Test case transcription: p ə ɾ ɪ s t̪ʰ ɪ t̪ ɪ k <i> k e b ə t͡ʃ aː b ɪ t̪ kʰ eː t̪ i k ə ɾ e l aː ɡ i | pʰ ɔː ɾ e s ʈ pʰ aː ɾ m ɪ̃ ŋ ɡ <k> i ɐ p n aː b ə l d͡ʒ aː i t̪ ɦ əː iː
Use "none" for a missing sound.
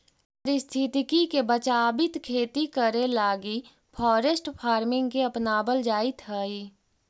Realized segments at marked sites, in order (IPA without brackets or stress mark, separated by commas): i, k